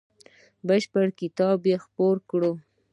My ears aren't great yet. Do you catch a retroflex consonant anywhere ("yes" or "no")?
yes